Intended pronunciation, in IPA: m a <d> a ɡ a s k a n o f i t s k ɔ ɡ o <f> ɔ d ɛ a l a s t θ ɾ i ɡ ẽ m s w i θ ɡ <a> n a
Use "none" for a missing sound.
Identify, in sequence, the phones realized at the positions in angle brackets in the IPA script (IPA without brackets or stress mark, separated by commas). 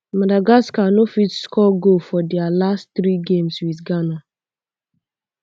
d, f, a